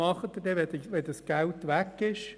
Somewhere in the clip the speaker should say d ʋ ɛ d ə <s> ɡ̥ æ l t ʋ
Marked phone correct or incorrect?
correct